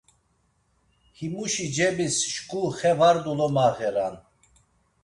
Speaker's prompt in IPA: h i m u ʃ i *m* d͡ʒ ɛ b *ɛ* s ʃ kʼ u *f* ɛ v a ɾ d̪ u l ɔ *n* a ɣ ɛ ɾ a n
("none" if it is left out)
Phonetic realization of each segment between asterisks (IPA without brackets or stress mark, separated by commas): none, i, χ, m